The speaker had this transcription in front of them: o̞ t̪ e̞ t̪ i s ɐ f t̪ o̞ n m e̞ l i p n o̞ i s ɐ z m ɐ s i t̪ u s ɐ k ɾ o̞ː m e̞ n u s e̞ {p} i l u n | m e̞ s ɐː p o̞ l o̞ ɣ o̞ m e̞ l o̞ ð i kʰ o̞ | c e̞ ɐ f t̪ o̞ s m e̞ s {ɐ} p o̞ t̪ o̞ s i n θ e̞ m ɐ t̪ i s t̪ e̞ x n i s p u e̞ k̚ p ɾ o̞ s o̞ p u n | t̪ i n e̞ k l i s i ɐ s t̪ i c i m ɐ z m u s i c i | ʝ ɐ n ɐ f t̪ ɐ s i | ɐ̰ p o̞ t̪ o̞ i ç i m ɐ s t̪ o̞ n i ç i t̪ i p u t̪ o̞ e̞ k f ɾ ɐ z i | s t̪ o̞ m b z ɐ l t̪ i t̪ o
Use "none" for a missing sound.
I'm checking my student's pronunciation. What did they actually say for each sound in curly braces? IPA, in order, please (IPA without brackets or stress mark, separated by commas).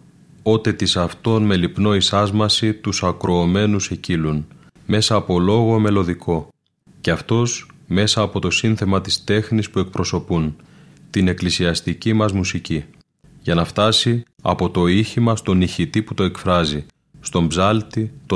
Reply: c, ɐː